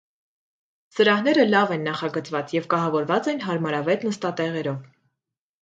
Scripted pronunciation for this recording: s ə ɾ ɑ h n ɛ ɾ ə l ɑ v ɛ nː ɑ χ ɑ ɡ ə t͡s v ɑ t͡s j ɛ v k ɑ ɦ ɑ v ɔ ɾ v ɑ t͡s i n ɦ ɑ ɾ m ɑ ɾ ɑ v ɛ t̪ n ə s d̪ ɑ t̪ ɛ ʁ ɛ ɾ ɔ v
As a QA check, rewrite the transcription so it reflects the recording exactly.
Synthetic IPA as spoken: s ə ɾ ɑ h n ɛ ɾ ə l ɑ v ɛ nː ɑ χ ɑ ɡ ə t͡s v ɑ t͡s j ɛ v k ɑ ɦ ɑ v ɔ ɾ v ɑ t͡s ɛ n ɦ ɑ ɾ m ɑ ɾ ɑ v ɛ t̪ n ə s t̪ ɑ t̪ ɛ ʁ ɛ ɾ ɔ v